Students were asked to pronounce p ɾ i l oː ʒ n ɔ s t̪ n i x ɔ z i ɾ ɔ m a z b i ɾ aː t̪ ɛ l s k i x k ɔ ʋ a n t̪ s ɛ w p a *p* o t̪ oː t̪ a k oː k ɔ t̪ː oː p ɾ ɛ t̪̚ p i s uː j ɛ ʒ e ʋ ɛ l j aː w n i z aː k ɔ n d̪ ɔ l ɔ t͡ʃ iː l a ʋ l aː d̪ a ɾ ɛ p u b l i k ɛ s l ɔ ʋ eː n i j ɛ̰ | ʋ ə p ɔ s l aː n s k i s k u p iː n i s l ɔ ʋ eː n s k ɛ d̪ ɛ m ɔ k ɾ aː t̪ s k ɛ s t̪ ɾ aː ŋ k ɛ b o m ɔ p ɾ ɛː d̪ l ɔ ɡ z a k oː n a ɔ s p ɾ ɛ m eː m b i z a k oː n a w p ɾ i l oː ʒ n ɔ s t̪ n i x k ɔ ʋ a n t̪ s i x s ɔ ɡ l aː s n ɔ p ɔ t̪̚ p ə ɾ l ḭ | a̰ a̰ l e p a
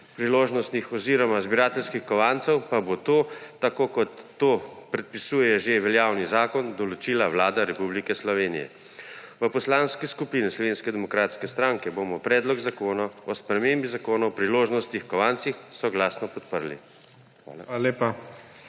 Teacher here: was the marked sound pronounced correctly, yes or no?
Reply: no